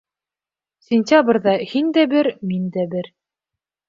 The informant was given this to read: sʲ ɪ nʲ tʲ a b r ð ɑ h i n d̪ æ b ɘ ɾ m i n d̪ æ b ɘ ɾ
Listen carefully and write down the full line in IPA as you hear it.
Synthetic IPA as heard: sʲ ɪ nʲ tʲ a b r ð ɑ h i n d̪ æ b ɘ ɾ m i n d̪ æ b ɘ ɾ